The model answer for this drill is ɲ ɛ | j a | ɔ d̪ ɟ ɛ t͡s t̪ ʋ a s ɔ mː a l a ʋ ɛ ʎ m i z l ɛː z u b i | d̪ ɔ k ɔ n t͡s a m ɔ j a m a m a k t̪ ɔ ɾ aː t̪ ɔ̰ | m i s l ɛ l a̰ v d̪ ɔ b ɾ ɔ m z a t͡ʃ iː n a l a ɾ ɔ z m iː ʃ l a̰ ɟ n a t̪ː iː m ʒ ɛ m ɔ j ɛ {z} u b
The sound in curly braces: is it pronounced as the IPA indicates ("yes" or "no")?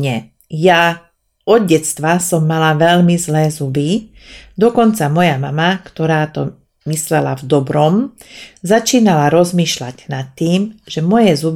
yes